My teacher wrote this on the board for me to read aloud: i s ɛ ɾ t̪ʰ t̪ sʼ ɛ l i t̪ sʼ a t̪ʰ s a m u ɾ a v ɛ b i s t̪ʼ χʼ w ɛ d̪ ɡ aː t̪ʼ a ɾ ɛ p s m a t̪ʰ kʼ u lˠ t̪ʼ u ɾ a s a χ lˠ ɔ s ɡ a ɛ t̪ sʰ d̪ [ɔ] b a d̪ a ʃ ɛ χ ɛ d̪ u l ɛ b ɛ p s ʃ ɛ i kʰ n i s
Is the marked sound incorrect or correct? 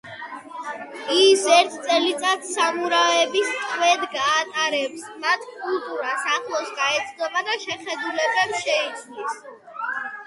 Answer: correct